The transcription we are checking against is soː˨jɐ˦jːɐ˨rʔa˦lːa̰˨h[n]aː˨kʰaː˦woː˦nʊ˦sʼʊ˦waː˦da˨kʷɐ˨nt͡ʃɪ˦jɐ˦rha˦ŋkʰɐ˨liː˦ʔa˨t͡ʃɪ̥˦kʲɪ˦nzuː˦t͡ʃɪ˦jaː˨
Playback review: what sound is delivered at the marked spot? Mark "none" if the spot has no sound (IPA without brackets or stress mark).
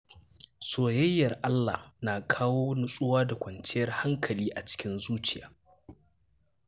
n